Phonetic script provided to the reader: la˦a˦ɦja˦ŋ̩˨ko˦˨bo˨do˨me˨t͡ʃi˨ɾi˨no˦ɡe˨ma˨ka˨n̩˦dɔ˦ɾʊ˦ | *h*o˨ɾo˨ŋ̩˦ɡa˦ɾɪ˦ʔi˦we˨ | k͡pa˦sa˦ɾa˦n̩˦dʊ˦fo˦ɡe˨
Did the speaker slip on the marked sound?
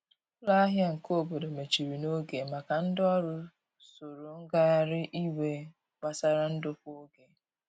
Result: yes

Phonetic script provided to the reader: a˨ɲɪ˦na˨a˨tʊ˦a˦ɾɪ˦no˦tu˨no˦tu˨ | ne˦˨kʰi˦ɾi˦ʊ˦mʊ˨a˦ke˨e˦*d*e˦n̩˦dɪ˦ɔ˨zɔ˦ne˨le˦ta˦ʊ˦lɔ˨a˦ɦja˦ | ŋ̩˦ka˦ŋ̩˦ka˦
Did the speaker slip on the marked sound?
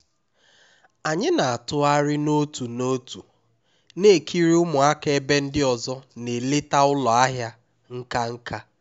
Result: yes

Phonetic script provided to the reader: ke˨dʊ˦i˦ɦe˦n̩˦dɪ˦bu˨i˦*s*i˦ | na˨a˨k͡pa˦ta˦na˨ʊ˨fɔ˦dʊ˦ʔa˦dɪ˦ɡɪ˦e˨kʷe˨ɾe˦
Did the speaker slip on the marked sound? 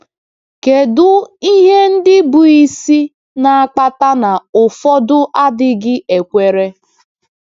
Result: no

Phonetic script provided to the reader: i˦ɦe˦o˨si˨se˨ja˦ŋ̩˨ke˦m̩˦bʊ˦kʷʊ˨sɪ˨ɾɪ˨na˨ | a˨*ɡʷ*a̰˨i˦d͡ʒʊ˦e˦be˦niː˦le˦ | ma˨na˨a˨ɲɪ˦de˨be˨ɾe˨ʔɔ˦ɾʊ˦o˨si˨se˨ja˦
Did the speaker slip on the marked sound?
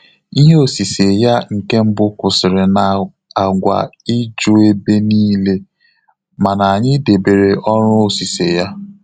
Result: no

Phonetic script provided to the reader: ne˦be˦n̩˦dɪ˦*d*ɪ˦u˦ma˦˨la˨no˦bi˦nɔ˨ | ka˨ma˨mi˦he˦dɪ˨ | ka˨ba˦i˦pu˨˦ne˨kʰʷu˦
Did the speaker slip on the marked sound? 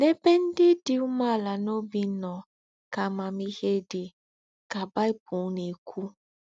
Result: no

